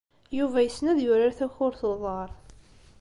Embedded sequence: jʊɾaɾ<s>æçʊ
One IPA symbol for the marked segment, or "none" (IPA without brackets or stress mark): θ